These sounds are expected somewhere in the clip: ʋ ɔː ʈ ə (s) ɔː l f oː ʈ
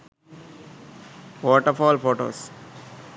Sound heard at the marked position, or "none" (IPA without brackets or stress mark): f